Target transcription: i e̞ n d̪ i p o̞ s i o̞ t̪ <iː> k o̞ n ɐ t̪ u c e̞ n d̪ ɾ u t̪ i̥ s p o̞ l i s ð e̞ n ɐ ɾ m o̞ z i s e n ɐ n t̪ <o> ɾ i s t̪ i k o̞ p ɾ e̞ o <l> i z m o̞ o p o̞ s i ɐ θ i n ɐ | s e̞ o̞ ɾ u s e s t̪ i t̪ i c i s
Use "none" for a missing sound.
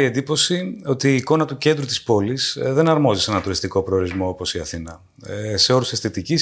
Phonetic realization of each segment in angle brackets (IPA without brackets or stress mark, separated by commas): iː, u, ɾ